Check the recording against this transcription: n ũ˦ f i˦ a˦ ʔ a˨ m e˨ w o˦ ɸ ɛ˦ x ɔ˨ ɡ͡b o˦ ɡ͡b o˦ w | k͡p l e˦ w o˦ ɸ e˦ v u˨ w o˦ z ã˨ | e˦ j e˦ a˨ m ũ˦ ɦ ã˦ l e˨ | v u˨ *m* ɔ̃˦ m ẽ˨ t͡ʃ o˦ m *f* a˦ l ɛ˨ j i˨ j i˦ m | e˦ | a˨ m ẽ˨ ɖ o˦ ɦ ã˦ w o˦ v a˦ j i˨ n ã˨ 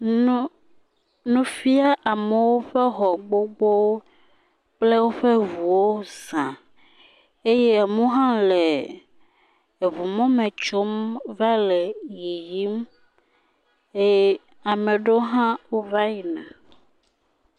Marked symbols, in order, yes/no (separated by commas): yes, no